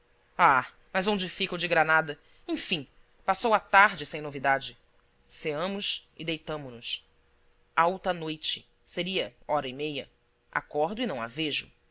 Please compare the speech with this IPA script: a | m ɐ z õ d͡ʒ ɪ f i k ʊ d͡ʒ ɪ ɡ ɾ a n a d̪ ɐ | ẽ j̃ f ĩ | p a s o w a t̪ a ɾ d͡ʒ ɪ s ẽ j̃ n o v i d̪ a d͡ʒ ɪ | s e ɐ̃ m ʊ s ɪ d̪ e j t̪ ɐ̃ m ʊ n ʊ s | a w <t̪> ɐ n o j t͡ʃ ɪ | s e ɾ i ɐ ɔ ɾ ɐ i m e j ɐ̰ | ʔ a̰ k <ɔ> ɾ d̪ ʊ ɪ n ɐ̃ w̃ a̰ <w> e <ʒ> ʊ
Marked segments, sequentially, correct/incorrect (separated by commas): correct, correct, incorrect, correct